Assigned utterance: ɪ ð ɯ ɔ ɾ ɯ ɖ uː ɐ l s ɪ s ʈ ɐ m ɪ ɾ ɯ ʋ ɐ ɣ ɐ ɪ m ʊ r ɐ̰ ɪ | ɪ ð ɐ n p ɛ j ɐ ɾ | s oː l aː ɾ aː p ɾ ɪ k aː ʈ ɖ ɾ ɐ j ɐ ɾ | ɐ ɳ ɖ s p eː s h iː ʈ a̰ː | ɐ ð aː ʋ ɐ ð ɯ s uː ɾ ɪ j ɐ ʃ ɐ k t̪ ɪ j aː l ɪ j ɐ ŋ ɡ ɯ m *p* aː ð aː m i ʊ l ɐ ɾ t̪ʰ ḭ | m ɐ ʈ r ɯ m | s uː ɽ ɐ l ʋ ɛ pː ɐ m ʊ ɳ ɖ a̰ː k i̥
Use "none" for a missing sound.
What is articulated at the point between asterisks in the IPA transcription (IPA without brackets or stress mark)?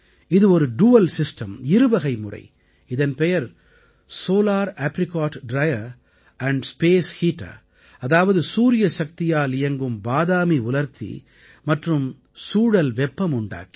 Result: b